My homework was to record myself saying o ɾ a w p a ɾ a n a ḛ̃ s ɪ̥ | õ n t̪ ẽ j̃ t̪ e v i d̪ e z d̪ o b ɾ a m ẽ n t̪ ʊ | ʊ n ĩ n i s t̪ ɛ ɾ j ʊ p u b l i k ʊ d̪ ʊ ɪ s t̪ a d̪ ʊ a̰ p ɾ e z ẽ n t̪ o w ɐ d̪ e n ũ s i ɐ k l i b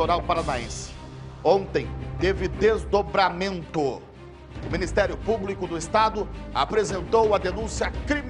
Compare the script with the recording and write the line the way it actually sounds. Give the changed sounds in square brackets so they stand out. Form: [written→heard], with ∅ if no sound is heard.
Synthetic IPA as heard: o ɾ a w p a ɾ a n a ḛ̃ s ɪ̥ | õ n t̪ ẽ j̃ t̪ e v [i→ɪ] d̪ e z d̪ o b ɾ a m ẽ n t̪ ʊ | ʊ [n→m] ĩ n i s t̪ ɛ ɾ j ʊ p u b l i k ʊ d̪ ʊ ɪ s t̪ a d̪ ʊ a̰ p ɾ e z ẽ n t̪ o w ɐ d̪ e n ũ s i ɐ k [l→ɾ] i [b→m]